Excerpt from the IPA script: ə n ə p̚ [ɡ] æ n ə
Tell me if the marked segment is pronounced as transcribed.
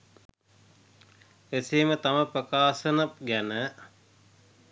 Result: yes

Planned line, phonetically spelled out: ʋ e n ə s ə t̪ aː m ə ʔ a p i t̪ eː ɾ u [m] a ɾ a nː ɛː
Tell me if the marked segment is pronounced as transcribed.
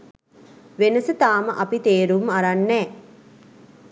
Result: yes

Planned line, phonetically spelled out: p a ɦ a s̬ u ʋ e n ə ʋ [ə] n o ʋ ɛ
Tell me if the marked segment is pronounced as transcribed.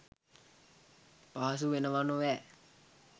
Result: no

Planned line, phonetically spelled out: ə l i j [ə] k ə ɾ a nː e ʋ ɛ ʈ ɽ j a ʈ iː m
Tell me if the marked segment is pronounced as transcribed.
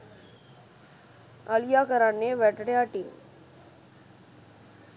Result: no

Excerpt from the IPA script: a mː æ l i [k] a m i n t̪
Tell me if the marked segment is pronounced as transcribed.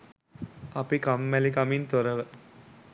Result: yes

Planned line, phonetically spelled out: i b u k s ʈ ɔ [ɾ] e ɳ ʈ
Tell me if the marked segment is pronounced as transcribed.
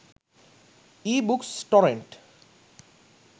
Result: yes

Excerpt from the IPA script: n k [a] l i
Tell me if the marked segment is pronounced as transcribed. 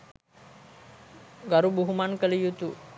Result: no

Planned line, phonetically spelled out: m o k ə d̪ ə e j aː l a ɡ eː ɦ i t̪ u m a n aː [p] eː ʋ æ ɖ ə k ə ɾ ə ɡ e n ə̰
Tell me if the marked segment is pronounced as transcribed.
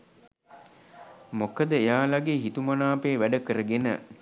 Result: yes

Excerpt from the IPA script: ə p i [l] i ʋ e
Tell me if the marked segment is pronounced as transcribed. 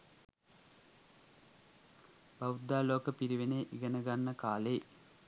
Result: no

